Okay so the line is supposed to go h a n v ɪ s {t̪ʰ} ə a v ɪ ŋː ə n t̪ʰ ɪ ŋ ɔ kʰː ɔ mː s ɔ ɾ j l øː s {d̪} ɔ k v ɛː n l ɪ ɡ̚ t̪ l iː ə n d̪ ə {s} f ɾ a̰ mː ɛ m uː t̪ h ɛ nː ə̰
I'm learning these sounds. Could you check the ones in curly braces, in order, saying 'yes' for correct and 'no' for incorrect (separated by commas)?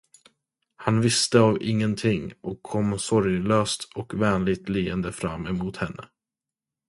no, no, no